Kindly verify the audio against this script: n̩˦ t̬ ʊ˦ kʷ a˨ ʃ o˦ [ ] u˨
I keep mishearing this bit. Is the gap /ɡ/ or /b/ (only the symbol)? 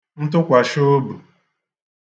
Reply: b